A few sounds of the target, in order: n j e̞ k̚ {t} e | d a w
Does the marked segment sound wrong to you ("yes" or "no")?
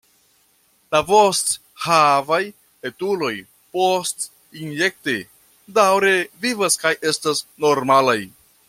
no